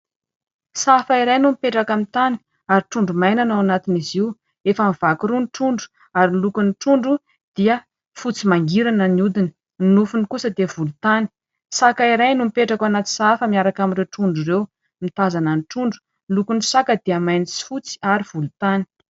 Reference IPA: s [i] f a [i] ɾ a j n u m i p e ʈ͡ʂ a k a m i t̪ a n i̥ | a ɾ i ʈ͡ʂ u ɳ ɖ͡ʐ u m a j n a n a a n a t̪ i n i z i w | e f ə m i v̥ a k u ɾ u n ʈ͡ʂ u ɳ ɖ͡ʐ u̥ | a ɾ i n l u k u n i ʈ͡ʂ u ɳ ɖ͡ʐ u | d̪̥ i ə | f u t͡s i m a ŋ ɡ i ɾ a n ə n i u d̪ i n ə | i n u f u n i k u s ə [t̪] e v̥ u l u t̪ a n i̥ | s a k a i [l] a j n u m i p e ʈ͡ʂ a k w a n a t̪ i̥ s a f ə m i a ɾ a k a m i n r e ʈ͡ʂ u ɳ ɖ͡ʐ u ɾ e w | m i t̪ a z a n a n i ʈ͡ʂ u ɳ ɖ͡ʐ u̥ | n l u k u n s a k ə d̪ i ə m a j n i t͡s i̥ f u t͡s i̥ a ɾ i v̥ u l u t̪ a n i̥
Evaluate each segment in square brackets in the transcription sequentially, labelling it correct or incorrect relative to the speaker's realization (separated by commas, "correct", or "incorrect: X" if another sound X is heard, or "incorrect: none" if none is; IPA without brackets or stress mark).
incorrect: a, correct, incorrect: d̪, incorrect: ɾ